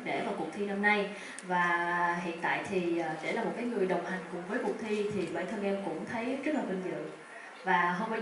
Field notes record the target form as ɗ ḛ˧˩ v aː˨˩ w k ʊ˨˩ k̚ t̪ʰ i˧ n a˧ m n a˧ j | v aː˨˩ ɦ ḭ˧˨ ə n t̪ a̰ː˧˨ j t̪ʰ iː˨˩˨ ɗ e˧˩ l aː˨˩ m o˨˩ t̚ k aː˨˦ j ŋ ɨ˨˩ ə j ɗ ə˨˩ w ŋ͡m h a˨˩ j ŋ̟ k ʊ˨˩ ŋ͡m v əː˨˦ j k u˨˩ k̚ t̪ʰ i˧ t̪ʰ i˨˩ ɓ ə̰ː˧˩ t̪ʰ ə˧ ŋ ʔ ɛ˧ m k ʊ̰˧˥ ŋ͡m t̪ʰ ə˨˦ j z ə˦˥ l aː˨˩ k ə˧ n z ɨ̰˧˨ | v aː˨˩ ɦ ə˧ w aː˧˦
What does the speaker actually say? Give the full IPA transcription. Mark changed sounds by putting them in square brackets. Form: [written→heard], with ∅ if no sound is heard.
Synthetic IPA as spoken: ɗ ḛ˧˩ v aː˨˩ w k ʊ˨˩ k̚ t̪ʰ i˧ n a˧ m n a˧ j | v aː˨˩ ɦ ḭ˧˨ ə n t̪ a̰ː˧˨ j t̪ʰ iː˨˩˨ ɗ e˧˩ l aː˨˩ m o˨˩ t̚ k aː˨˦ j ŋ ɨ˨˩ ə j ɗ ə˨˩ w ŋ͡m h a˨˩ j ŋ̟ k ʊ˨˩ ŋ͡m v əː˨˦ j k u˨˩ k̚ t̪ʰ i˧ t̪ʰ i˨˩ ɓ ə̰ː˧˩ t̪ʰ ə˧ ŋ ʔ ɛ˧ m k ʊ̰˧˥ ŋ͡m t̪ʰ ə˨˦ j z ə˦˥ l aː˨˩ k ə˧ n z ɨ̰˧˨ | v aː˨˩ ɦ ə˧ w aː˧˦